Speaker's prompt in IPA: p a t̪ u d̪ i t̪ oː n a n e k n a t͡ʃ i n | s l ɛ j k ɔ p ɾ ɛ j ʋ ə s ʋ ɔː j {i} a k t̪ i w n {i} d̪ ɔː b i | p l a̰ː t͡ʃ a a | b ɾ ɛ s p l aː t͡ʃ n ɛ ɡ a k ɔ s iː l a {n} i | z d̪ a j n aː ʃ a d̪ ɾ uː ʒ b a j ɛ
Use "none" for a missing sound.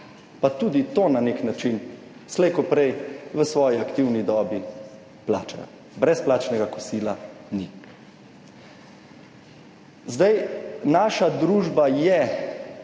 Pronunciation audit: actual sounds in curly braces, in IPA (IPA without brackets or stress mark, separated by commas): i, i, n